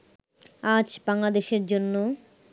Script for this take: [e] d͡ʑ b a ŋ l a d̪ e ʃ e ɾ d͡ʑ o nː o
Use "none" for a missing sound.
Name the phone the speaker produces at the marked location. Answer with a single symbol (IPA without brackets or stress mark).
a